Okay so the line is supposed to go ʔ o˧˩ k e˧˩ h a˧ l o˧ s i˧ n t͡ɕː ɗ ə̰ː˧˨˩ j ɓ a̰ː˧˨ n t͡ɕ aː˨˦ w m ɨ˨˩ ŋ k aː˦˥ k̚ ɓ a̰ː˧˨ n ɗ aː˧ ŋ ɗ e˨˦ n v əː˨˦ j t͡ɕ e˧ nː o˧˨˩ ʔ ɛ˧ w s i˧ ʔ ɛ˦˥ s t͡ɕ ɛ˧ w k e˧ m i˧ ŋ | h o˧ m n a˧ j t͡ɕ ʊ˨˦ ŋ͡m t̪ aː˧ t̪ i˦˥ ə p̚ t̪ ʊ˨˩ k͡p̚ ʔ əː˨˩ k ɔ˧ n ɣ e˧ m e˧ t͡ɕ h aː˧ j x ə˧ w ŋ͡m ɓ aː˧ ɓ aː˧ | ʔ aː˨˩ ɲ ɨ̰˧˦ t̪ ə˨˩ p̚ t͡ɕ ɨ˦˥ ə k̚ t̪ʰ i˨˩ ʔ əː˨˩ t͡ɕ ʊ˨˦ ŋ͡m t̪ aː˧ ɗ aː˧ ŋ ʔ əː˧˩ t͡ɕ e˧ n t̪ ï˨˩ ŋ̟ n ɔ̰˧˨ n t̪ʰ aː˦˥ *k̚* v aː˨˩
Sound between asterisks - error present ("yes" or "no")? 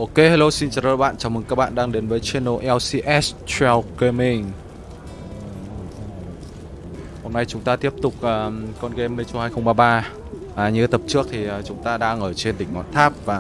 yes